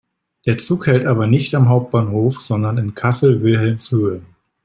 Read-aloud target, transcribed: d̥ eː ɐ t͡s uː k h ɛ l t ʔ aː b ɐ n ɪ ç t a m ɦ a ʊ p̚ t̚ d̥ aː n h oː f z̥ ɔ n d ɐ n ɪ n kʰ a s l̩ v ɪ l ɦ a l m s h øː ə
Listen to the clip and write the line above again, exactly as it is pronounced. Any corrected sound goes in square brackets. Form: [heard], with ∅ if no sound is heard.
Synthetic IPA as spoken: d̥ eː ɐ t͡s uː k h ɛ l t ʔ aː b ɐ n ɪ ç t a m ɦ a ʊ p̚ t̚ [b̥] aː n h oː f z̥ ɔ n d ɐ n ɪ n kʰ a s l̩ v ɪ l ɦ [ɛ] l m s h øː ə